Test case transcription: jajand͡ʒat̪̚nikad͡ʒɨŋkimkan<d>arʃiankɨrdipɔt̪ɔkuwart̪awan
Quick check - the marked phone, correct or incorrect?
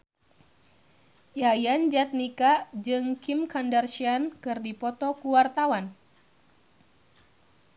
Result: correct